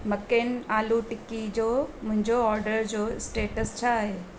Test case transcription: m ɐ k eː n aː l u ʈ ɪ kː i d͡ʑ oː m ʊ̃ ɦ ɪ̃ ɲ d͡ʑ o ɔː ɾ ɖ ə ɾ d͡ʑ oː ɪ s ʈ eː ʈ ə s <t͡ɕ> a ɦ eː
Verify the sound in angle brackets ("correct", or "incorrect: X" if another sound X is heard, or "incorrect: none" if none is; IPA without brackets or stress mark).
incorrect: t͡ɕʰ